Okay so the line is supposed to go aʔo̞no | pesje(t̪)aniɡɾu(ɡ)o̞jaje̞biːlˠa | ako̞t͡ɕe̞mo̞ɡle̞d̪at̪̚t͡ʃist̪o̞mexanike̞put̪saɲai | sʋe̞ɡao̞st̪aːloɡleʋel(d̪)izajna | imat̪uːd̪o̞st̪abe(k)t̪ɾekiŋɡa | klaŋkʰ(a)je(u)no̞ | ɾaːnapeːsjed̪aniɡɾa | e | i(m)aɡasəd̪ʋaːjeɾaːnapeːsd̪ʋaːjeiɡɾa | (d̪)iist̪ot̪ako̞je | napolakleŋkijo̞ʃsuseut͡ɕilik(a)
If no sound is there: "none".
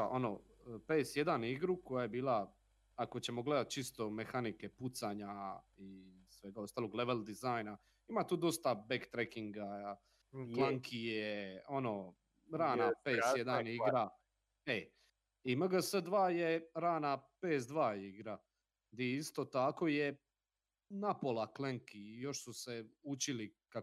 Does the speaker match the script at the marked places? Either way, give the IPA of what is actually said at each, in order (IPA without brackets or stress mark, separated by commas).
d̪, k, d̪, k, i, o, m, d̪, a